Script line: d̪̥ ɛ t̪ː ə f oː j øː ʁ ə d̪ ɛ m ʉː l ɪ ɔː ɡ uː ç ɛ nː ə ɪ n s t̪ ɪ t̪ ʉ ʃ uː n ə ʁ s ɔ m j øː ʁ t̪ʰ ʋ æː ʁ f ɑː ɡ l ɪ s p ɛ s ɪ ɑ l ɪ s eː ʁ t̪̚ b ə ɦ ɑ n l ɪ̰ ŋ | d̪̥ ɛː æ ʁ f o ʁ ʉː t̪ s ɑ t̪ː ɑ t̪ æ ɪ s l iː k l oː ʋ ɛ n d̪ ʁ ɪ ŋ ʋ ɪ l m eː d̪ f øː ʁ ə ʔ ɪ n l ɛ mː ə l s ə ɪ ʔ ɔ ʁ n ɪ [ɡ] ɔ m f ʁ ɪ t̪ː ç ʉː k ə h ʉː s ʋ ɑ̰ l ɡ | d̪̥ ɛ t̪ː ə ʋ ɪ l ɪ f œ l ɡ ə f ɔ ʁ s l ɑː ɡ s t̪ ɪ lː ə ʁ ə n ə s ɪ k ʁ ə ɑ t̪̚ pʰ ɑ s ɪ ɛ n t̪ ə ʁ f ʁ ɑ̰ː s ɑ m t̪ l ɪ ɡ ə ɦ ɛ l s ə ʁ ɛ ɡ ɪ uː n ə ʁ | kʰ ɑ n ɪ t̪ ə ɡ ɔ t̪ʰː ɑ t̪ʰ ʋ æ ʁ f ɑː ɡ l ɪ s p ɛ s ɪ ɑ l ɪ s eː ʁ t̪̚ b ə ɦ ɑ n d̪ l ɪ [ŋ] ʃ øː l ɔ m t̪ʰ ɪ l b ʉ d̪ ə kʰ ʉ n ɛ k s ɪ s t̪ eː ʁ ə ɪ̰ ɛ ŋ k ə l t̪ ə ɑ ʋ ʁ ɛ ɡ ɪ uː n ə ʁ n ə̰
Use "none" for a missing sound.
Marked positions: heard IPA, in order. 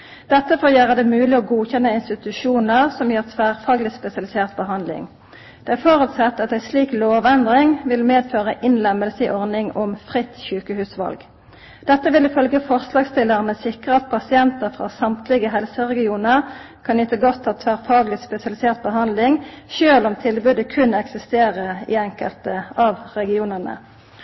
ŋ, ŋ

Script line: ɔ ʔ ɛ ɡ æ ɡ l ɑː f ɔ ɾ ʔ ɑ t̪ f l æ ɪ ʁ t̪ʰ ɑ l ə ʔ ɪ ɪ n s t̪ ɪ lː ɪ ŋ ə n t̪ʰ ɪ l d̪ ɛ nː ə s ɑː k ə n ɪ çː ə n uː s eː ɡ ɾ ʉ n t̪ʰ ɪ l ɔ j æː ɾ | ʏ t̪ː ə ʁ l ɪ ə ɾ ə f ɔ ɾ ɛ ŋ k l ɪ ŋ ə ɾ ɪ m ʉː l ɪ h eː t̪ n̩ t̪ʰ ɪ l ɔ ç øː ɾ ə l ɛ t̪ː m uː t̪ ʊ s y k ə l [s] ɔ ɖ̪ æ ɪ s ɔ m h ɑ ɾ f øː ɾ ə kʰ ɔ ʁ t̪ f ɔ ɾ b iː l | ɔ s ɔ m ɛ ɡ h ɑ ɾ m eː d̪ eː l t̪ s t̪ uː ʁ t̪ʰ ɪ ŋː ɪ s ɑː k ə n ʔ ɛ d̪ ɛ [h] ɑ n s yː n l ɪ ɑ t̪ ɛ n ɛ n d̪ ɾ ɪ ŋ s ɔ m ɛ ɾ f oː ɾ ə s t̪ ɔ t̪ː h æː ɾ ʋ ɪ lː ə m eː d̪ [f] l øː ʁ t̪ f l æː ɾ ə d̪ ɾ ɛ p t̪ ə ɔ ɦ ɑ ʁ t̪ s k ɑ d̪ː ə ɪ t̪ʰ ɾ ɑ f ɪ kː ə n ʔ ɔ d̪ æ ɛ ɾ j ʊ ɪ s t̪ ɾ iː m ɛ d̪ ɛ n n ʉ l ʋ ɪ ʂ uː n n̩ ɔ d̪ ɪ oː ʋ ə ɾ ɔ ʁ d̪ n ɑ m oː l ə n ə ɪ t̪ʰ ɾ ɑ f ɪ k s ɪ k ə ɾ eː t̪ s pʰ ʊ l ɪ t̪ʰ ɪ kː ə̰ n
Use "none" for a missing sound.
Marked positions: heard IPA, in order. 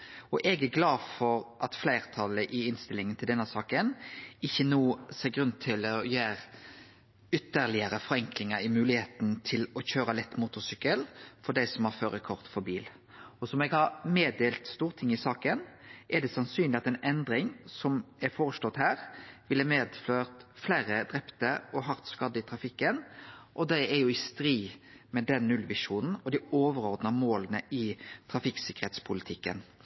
f, s, f

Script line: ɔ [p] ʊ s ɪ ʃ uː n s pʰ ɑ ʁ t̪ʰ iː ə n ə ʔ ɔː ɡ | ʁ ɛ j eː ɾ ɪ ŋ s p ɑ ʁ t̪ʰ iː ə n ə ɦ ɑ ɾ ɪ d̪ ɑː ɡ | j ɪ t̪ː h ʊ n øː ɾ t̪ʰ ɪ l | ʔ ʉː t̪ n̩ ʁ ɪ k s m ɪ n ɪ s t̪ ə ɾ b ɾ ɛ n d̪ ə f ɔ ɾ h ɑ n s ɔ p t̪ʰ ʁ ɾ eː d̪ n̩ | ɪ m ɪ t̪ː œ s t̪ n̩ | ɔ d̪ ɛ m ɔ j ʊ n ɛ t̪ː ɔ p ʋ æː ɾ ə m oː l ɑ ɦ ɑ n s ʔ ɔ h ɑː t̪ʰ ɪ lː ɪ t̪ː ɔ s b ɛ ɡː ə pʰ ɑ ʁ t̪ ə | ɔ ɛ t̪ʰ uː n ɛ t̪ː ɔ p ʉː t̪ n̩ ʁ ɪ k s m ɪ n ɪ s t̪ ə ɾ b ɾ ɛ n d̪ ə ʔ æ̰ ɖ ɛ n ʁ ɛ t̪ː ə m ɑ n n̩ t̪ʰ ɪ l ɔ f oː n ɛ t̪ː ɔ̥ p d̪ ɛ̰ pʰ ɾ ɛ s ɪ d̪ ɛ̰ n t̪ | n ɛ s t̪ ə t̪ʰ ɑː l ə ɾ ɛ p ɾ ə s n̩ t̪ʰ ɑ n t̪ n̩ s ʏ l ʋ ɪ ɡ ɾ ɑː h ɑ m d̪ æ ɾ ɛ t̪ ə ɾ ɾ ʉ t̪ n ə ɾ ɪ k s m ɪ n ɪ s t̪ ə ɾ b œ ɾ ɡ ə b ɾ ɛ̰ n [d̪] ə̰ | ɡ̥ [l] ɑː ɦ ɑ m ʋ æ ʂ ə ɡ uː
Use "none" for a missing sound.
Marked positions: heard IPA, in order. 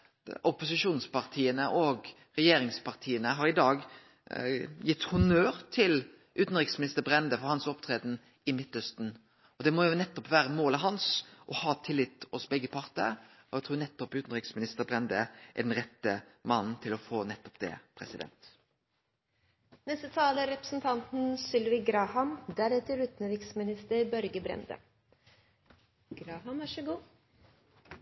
p, d̪, ɾ

